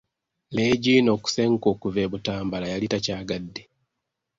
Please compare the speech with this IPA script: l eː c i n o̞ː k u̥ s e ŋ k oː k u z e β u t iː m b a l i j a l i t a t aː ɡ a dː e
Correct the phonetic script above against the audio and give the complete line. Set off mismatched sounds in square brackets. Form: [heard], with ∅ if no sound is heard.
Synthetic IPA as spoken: l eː [ɟ] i n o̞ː k u̥ s e ŋ k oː k u [v] e β u t [aː] m b a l [a] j a l i t a [c] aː ɡ a dː e